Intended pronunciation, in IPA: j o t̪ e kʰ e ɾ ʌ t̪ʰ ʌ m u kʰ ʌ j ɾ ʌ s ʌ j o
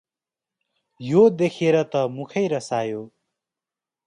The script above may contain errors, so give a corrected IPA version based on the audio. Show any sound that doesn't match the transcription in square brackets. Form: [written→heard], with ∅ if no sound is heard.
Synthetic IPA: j o [t̪→d̪] e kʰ e ɾ ʌ [t̪ʰ→t̪] ʌ m u kʰ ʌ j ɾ ʌ s [ʌ→a] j o